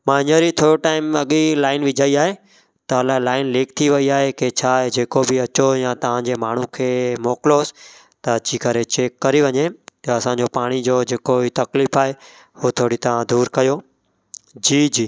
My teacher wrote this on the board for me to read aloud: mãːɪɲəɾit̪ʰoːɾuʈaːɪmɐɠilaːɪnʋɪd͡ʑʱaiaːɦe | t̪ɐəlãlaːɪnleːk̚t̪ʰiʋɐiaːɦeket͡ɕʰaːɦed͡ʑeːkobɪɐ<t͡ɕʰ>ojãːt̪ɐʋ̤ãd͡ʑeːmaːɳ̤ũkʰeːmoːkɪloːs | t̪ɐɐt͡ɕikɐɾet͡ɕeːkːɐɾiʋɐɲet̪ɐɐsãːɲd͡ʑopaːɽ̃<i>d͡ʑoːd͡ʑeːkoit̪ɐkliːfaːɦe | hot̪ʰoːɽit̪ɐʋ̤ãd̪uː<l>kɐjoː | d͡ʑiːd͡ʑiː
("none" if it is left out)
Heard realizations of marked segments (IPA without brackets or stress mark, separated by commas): t͡ɕ, i, ɾ